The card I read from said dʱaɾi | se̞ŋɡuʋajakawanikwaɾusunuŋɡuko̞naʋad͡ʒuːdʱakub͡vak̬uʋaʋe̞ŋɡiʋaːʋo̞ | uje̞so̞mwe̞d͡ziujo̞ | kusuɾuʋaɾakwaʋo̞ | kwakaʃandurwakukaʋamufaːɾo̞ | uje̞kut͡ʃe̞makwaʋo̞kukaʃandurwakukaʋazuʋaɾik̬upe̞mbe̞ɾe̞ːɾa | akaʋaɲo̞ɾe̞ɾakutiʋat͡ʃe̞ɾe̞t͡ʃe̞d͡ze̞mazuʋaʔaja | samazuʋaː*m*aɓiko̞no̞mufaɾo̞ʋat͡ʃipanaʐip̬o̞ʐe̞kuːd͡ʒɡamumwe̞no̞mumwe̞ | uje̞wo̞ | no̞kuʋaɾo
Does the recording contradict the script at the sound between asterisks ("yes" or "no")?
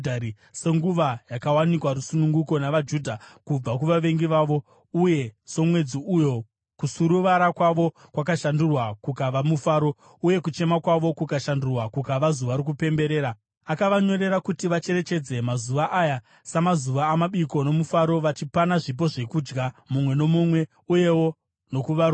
no